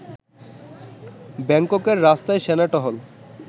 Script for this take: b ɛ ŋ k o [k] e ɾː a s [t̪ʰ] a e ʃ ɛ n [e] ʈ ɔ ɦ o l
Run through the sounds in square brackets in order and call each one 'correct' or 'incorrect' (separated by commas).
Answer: correct, incorrect, incorrect